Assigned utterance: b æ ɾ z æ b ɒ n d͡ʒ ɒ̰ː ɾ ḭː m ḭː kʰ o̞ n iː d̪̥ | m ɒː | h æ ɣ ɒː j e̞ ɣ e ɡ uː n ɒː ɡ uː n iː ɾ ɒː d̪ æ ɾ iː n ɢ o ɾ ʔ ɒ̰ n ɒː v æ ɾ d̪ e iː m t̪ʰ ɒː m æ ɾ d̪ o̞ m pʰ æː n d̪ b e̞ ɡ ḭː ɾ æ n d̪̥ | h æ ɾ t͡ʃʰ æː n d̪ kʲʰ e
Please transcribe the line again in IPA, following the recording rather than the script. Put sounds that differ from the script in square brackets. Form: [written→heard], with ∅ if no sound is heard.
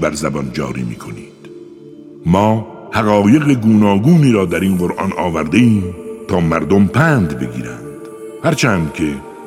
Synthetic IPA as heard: b æ ɾ z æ b ɒ n d͡ʒ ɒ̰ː ɾ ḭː m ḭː kʰ o̞ n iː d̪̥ | m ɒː | h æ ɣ ɒː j e̞ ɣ e ɡ uː n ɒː ɡ uː n iː ɾ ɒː d̪ æ ɾ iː n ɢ o ɾ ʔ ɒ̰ n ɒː v æ ɾ d̪ e iː m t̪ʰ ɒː m æ ɾ d̪ o̞ m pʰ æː n d̪ b e̞ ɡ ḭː ɾ æ n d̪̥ | h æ ɾ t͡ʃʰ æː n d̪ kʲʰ e